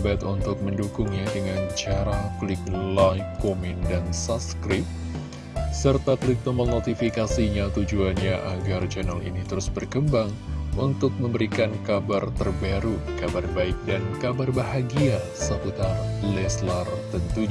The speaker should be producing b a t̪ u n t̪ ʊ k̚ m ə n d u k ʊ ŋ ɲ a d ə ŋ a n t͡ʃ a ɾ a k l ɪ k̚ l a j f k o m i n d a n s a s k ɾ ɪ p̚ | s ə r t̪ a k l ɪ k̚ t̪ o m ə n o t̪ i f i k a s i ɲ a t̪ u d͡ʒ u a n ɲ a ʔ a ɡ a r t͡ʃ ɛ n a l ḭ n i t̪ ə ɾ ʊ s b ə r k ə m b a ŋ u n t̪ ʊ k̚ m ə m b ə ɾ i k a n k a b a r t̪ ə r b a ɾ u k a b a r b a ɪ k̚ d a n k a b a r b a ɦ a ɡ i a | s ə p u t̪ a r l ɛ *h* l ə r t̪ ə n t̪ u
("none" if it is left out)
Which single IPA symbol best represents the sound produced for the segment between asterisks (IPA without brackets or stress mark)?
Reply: s